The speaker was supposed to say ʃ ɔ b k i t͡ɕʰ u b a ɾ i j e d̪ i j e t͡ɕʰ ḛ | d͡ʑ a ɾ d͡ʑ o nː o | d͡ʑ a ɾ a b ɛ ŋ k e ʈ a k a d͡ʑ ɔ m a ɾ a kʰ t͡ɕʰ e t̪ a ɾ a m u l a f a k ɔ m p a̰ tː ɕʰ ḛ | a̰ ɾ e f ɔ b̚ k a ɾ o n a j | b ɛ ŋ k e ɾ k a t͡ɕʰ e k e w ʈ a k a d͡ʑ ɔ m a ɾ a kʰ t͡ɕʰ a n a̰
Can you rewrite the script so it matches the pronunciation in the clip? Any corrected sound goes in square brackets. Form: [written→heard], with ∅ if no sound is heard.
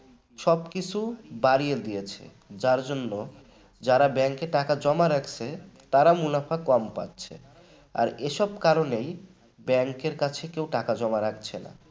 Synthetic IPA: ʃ ɔ b k i t͡ɕʰ u b a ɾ i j e d̪ i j e t͡ɕʰ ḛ | d͡ʑ a ɾ d͡ʑ o nː o | d͡ʑ a ɾ a b ɛ ŋ k e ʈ a k a d͡ʑ ɔ m a ɾ a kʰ t͡ɕʰ e t̪ a ɾ a m u l a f a k ɔ m p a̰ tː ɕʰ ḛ | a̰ ɾ e [f→ʃ] ɔ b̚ k a ɾ o n [a→e] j | b ɛ ŋ k e ɾ k a t͡ɕʰ e k e w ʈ a k a d͡ʑ ɔ m a ɾ a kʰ t͡ɕʰ [a→e] n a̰

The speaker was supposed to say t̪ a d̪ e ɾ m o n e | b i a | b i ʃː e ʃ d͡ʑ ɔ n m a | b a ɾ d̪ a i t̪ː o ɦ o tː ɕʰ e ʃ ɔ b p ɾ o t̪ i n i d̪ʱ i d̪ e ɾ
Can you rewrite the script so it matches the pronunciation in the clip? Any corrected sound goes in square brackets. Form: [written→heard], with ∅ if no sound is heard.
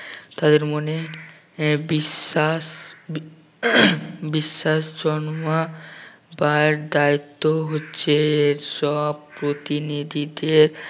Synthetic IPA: t̪ a d̪ e ɾ m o n e | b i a | b i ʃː [e→a] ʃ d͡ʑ ɔ n m a | b a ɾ d̪ a i t̪ː o ɦ o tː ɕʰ e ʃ ɔ b p ɾ o t̪ i n i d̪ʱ i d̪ e ɾ

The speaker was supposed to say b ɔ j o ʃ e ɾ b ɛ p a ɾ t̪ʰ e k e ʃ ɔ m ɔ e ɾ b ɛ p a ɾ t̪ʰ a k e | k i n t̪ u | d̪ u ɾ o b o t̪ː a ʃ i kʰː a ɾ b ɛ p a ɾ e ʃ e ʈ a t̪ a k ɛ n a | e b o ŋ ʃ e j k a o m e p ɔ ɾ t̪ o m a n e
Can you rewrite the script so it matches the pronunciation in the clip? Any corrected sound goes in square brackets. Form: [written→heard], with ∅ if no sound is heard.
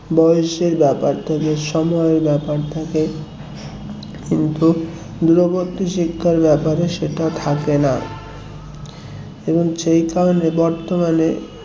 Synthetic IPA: b ɔ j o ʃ e ɾ b ɛ p a ɾ t̪ʰ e k e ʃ ɔ m ɔ e ɾ b ɛ p a ɾ t̪ʰ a k e | k i n t̪ u | d̪ u ɾ o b o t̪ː [a→i] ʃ i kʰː a ɾ b ɛ p a ɾ e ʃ e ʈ a [t̪→t̪ʰ] a k [ɛ→e] n a | e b o ŋ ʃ e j k a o [m→n] e [p→b] ɔ ɾ t̪ o m a n e

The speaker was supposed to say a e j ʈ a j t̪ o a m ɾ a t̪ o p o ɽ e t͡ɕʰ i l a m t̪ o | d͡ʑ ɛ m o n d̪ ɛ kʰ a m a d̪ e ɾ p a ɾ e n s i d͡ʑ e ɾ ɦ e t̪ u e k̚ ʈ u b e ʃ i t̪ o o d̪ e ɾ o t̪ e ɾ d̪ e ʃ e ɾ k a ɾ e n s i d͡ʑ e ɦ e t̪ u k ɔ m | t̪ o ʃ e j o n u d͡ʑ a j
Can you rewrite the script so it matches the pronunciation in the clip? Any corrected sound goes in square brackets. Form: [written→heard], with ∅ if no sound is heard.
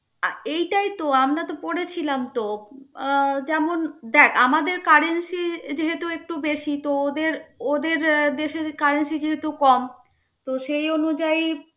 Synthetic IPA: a e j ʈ a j t̪ o a m ɾ a t̪ o p o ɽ e t͡ɕʰ i l a m t̪ o | d͡ʑ ɛ m o n d̪ ɛ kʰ a m a d̪ e ɾ [p→k] a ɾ e n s i d͡ʑ e [ɾ→∅] ɦ e t̪ u e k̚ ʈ u b e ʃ i t̪ o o d̪ e ɾ o [t̪→d̪] e ɾ d̪ e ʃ e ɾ k a ɾ e n s i d͡ʑ e ɦ e t̪ u k ɔ m | t̪ o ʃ e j o n u d͡ʑ a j

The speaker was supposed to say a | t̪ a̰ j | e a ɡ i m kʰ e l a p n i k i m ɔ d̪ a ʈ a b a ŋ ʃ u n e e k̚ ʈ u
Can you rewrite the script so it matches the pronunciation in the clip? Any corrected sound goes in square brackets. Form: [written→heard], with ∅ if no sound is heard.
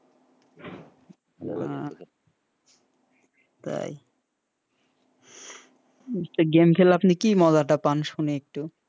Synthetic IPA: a | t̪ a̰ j | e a ɡ [i→e] m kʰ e l a p n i k i m ɔ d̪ a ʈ a [b→p] a [ŋ→n] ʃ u n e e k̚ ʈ u

